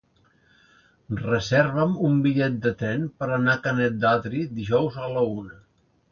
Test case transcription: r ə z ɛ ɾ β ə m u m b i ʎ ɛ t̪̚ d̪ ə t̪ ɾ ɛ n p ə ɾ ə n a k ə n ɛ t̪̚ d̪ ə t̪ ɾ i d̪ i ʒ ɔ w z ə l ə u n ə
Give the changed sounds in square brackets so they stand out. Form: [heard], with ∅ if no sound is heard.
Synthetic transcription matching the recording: r ə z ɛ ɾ β ə m u m b i ʎ ɛ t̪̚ d̪ ə t̪ ɾ ɛ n p ə ɾ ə n a k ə n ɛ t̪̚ d̪ [a] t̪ ɾ i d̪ i ʒ ɔ w z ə l ə u n ə